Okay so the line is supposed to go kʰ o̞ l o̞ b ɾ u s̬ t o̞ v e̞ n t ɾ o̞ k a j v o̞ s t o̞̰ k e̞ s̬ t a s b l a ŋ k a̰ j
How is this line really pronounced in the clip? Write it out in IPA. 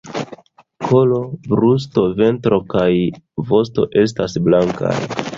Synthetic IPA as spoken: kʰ o̞ l o̞ b ɾ u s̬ t o̞ v e̞ n t ɾ o̞ k a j v o̞ s t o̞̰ ʔ e̞ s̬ t a s b l a ŋ k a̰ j